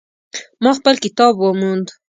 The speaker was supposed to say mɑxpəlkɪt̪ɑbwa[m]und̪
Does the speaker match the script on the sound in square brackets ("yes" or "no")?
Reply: yes